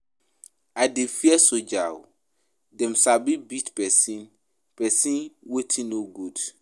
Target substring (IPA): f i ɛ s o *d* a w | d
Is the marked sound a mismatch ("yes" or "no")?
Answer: yes